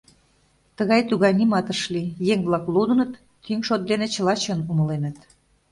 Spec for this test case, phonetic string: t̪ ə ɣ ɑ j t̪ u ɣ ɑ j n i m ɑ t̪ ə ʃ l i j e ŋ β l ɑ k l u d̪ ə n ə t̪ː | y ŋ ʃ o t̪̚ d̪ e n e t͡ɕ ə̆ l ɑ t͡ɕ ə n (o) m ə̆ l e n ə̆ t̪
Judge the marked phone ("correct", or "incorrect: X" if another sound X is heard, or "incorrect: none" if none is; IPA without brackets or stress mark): incorrect: u